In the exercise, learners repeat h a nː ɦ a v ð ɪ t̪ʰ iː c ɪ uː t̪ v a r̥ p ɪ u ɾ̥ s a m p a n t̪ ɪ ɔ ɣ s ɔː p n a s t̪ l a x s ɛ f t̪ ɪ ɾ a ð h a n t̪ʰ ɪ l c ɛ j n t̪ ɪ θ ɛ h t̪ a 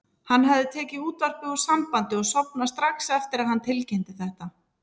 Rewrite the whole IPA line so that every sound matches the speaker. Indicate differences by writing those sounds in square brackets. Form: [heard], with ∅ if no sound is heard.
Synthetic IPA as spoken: h a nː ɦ a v ð ɪ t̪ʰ [ɛː] c ɪ uː t̪ v a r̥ p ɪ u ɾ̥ s a m p a n t̪ ɪ ɔ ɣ s [ɔ] p n a s t̪ [ɾ] a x s ɛ f t̪ ɪ ɾ a ð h a n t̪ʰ ɪ l c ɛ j n t̪ ɪ θ ɛ h t̪ a